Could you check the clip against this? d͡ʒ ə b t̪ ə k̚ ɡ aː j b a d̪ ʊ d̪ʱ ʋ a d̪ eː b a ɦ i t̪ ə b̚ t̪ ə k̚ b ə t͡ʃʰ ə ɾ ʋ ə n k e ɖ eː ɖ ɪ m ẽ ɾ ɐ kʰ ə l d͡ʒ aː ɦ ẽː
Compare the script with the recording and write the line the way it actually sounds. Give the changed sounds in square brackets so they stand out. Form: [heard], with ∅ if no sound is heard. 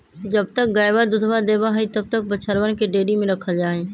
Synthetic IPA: d͡ʒ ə b t̪ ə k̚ ɡ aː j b a d̪ ʊ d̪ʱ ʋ a d̪ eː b a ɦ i t̪ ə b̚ t̪ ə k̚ b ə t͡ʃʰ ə ɾ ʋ ə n k e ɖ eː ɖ [i] m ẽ ɾ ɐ kʰ ə l d͡ʒ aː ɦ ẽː